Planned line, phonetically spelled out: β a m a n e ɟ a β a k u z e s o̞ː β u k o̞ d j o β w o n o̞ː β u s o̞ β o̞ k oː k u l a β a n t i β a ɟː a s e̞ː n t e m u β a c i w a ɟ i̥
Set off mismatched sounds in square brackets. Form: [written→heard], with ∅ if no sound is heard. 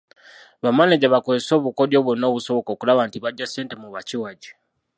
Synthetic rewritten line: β a m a n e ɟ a β a k [u→o] z e s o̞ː β u k o̞ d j o β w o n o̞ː β u s o̞ β o̞ k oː k u l a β a n t i β a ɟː a s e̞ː n t e m u β a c i w a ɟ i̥